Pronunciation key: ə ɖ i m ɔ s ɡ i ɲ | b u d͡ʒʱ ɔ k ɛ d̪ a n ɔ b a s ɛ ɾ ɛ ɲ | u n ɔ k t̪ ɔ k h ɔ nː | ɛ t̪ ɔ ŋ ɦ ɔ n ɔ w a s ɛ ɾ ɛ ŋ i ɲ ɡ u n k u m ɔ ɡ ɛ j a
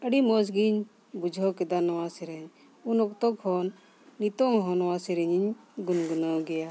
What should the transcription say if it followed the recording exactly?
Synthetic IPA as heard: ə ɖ i m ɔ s ɡ i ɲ | b u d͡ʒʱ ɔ k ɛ d̪ a n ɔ w a s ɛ ɾ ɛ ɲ | u n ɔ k t̪ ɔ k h ɔ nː | i t̪ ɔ ŋ ɦ ɔ n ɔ w a s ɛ ɾ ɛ ɲ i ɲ ɡ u n ɡ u n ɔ ɡ ɛ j a